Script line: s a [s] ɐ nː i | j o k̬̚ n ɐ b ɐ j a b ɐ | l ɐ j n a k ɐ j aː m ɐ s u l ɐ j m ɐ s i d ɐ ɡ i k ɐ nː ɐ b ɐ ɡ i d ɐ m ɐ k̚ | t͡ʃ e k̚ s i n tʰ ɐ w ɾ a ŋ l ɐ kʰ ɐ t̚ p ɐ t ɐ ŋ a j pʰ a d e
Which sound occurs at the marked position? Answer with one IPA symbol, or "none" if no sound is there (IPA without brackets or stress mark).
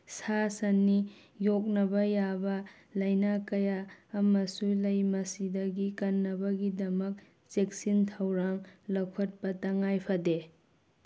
s